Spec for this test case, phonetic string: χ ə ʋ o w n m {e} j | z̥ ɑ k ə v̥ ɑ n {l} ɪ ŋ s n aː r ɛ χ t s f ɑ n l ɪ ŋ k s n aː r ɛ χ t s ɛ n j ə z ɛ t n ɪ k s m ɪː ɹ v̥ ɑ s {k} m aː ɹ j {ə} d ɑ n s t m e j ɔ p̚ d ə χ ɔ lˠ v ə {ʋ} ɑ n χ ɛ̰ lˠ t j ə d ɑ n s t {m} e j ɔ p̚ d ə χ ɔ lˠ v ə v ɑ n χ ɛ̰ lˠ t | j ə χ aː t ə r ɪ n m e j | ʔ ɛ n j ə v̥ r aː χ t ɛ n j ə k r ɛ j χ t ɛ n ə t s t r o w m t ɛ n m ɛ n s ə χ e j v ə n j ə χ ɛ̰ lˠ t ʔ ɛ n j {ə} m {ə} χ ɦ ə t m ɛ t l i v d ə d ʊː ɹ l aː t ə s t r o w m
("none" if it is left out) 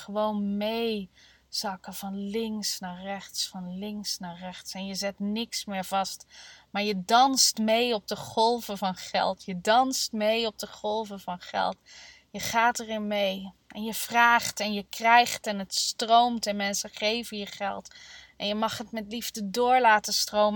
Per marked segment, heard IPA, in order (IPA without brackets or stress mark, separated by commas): e, l, t, ə, v, m, ə, ɑ